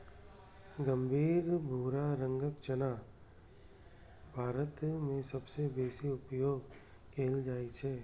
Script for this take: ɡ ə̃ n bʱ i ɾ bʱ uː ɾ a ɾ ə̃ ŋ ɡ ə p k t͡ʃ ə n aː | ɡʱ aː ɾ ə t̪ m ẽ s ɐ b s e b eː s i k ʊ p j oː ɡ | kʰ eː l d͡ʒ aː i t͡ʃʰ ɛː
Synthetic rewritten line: ɡ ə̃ m bʱ iː ɾ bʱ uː ɾ a ɾ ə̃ ŋ ɡ ə k t͡ʃ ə n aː | bʱ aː ɾ ə t̪ m ẽ s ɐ b s e b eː s i ʊ p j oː ɡ | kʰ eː l d͡ʒ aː i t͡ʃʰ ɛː